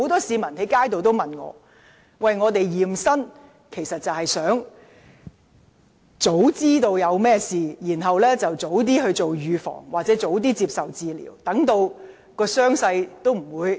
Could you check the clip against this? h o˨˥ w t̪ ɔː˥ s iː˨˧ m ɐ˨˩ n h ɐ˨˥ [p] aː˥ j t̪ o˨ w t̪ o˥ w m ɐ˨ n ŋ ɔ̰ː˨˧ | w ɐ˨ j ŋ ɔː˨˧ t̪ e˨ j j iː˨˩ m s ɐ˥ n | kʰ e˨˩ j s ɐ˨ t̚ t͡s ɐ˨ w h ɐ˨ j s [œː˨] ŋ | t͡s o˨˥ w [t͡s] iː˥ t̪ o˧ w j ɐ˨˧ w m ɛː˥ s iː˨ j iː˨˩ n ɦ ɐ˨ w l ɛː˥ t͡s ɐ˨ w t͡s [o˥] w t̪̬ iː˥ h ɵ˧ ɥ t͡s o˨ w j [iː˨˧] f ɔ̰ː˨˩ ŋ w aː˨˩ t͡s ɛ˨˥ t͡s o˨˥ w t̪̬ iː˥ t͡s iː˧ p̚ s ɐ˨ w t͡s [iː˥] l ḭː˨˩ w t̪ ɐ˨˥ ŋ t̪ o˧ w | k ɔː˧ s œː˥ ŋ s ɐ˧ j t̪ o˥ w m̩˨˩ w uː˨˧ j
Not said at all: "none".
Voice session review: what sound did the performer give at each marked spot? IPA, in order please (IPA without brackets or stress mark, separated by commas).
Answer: k, œː˨˥, t͡s, o˨˥, yː˨˧, iː˨˧